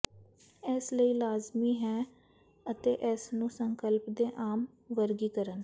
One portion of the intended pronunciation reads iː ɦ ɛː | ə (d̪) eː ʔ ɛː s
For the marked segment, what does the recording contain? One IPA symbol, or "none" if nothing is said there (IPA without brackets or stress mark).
t̪